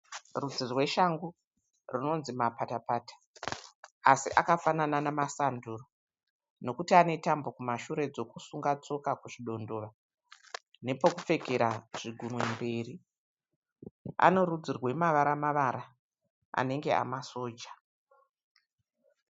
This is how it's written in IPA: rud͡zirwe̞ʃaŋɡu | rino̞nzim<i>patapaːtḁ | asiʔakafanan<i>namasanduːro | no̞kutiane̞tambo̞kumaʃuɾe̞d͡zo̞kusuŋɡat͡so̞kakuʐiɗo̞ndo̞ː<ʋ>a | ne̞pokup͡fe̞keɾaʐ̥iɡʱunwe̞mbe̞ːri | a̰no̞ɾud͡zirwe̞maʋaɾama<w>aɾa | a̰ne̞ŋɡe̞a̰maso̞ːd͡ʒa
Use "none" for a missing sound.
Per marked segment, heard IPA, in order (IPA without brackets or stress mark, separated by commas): a, a, ʋ, ʋ